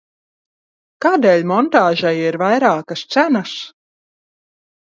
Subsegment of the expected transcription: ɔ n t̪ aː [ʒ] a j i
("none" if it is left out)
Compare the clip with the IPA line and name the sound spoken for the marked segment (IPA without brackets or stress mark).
ʒ